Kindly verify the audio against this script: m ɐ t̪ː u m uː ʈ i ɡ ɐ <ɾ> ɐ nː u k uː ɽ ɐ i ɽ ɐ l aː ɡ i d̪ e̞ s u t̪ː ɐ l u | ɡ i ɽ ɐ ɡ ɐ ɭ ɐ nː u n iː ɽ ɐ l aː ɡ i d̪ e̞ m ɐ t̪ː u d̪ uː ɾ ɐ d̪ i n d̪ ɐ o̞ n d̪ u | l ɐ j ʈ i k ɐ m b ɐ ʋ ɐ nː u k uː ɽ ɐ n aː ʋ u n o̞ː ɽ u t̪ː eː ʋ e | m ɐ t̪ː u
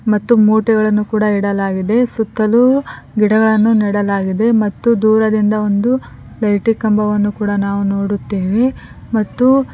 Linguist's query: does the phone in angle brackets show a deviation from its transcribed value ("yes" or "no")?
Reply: yes